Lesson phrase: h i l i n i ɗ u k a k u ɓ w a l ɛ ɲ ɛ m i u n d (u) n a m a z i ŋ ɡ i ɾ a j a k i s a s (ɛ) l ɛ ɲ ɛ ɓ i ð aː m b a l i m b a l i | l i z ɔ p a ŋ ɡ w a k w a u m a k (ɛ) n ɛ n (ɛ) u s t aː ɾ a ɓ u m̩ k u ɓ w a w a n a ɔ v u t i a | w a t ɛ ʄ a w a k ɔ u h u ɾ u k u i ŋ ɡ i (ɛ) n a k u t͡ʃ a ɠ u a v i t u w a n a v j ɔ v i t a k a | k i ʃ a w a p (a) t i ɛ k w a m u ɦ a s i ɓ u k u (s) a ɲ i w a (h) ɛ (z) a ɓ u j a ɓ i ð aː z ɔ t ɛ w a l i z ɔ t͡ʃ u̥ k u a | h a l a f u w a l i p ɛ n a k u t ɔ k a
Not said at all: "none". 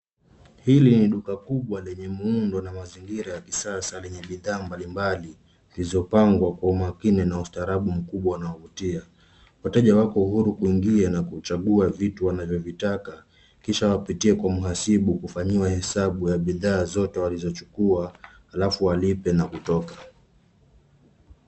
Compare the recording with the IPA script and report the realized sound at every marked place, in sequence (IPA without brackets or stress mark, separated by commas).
ɔ, a, i, a, a, i, f, h, s